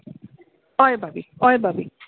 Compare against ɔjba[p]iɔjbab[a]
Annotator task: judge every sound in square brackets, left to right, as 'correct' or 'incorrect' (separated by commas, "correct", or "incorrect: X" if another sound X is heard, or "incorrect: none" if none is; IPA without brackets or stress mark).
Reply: incorrect: b, incorrect: i